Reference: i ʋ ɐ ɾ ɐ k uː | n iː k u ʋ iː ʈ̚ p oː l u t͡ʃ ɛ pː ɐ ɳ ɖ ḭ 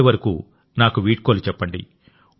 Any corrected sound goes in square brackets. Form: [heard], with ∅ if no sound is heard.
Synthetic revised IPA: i ʋ ɐ ɾ ɐ k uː | n [aː] k u ʋ iː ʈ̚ [k] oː l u t͡ʃ ɛ pː ɐ ɳ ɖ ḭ